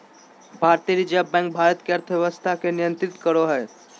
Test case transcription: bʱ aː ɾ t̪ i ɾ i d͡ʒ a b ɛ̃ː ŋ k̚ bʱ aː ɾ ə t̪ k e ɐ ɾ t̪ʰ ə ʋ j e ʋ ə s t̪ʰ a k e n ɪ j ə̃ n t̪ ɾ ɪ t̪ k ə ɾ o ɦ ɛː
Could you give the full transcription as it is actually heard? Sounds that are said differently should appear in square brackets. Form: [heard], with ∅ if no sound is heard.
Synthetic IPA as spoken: bʱ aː ɾ t̪ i ɾ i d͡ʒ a b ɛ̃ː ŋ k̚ bʱ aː ɾ ə t̪ k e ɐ ɾ t̪ʰ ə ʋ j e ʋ ə s t̪ʰ a k e n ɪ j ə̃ n t̪ ɾ ɪ t̪ k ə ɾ o ɦ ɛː